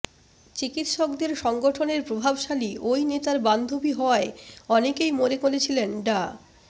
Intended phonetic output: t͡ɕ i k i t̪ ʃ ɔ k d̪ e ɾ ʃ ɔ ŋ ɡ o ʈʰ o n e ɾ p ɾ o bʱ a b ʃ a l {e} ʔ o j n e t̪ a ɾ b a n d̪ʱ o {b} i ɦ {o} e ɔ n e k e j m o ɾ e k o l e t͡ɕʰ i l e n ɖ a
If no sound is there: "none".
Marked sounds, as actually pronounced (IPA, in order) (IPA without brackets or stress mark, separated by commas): i, b, ɔ